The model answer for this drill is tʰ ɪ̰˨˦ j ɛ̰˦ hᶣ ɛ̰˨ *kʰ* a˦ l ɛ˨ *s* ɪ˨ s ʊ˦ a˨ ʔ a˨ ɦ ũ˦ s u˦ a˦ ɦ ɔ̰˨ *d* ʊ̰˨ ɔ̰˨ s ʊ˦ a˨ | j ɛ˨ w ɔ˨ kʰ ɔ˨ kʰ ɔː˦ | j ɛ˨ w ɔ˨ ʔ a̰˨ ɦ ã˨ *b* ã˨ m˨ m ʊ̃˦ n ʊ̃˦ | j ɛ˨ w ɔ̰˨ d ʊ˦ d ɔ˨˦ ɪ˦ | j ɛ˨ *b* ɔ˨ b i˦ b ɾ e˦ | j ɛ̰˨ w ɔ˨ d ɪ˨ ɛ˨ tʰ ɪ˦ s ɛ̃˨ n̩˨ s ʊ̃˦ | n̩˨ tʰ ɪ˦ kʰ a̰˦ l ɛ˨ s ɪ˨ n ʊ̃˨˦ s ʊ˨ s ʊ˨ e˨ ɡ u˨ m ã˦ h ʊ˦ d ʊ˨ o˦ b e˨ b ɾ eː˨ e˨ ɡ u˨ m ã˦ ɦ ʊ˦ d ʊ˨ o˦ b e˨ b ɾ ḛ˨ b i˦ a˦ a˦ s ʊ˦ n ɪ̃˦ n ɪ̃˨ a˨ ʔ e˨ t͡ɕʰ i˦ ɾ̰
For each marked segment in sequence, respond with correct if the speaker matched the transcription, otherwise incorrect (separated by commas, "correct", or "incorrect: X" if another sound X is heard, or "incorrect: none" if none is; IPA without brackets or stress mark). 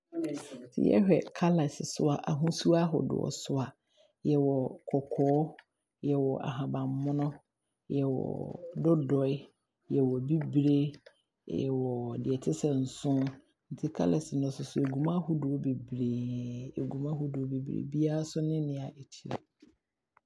correct, correct, correct, correct, incorrect: w